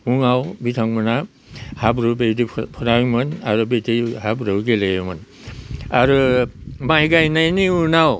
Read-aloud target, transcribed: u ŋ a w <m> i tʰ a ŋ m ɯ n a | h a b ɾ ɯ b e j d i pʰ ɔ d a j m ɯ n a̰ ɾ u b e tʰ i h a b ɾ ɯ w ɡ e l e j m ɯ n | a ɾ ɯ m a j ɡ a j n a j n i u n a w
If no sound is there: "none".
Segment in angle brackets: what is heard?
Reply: b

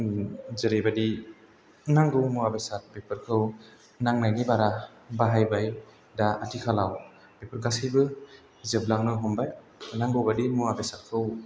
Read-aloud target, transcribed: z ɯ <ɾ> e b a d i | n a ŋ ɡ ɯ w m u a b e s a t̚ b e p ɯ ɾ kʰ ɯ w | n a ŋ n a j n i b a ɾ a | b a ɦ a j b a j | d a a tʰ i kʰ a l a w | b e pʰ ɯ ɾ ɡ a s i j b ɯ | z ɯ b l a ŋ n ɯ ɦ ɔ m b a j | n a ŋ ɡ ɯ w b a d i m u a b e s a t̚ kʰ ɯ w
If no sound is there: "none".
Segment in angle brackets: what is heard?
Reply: ɾ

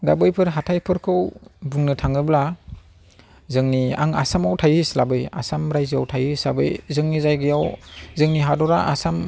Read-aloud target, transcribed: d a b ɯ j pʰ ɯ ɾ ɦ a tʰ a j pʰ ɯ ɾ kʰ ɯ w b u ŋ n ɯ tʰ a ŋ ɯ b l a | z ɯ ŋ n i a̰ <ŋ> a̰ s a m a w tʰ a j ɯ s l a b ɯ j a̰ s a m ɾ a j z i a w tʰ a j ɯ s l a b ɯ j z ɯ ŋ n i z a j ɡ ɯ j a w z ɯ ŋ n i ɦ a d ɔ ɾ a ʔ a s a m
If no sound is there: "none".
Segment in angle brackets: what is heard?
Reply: ŋ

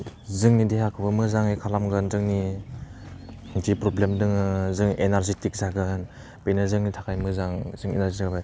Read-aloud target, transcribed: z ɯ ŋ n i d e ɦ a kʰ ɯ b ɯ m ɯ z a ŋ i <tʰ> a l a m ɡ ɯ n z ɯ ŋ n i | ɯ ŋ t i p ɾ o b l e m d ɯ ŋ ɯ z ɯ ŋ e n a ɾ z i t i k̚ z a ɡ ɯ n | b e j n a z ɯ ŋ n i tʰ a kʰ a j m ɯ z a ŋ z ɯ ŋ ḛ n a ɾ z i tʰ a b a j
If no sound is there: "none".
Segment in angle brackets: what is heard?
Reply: kʰ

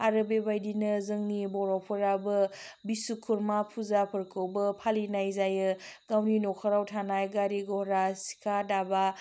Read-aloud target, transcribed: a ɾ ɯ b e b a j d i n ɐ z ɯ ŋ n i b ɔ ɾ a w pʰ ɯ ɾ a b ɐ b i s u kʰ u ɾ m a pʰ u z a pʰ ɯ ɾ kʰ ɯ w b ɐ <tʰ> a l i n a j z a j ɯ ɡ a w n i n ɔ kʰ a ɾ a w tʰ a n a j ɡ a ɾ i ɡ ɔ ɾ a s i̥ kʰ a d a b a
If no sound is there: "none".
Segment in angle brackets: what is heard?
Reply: pʰ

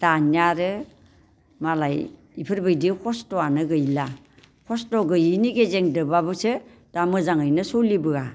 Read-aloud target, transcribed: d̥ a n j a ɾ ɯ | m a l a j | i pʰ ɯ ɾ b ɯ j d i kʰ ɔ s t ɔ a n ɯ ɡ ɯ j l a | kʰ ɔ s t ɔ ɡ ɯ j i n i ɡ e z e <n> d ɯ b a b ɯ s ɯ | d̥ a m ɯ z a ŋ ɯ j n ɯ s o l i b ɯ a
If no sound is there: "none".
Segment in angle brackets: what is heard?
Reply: ŋ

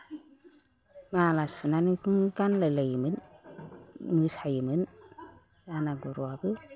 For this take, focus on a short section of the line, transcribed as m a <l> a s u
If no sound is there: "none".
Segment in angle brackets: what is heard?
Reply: l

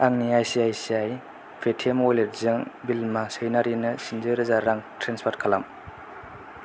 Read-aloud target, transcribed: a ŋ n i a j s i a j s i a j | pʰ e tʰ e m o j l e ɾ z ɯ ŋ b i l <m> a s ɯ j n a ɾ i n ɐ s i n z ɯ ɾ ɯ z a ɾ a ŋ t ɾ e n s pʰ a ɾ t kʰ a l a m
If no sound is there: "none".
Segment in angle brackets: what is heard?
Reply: m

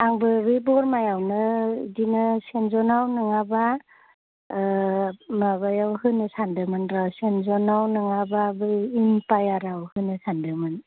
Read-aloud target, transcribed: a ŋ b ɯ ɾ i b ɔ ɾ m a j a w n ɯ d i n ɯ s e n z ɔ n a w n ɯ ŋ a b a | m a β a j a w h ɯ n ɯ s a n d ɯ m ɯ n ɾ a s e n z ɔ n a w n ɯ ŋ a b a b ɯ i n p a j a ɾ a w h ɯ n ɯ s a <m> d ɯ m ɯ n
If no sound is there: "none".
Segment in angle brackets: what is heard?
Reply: n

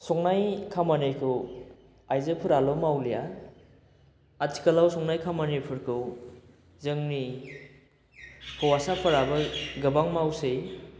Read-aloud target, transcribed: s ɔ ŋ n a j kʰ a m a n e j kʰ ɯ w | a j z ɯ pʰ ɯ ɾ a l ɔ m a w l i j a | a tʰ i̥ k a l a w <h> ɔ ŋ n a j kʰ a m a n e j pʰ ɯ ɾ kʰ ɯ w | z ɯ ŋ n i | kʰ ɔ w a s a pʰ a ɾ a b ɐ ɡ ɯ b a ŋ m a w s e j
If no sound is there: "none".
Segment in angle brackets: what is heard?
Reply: s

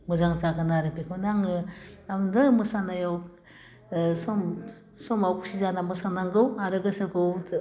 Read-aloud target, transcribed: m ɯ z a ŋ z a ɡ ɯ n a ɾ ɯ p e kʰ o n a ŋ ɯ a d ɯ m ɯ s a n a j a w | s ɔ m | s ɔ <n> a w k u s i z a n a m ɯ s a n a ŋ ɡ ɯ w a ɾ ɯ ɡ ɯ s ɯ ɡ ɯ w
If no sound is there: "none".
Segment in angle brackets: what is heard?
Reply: m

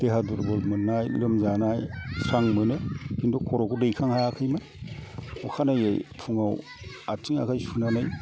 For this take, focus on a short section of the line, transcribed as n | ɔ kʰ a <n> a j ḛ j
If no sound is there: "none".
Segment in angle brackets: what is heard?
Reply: n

